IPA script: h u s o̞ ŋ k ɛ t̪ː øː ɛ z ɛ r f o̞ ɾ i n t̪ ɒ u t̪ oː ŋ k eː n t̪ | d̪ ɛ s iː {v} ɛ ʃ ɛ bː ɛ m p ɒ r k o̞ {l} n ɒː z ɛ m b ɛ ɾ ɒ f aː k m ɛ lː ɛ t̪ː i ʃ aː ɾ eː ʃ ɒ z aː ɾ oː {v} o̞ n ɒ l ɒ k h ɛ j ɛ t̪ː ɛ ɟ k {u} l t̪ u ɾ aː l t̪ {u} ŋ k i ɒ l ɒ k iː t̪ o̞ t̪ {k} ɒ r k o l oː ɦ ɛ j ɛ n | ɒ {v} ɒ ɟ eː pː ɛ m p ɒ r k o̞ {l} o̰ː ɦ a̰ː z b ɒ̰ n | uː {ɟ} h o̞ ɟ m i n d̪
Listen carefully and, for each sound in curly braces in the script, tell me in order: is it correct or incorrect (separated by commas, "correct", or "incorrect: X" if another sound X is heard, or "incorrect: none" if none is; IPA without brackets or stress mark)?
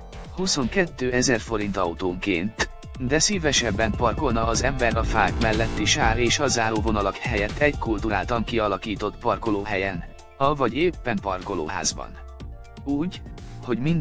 correct, correct, correct, correct, incorrect: ɒ, incorrect: p, correct, correct, correct